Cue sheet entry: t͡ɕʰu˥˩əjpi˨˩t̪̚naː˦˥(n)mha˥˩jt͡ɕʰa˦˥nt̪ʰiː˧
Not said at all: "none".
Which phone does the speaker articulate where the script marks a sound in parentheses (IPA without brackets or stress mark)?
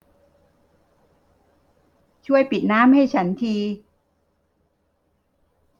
none